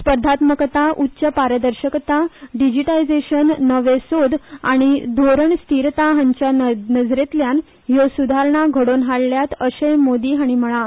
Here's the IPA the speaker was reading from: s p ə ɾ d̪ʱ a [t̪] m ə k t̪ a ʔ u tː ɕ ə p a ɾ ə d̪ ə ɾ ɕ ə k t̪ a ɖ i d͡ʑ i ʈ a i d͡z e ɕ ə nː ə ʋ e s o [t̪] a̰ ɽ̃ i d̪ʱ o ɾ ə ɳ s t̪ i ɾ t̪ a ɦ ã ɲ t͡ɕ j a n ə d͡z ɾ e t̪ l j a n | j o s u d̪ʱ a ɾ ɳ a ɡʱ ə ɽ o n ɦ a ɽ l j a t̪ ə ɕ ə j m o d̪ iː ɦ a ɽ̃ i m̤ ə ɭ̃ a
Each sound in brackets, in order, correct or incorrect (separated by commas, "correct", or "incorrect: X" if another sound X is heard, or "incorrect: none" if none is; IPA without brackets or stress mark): correct, incorrect: d̪